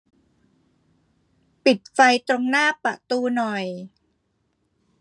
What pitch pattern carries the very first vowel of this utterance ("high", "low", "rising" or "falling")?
low